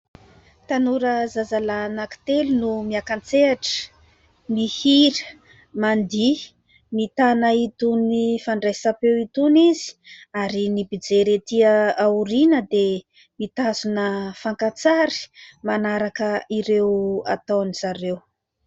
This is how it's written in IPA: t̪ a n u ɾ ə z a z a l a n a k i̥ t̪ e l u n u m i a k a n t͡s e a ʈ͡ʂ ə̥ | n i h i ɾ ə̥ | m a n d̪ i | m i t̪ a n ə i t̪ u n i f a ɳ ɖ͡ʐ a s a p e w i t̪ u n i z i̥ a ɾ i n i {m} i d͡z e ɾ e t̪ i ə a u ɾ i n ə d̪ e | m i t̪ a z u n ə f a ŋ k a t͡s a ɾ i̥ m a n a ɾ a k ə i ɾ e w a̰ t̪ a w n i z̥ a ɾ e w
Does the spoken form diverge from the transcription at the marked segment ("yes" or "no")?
yes